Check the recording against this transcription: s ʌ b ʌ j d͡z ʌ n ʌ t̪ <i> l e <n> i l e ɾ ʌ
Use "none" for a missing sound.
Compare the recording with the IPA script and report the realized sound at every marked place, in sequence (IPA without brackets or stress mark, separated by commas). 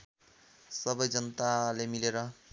a, m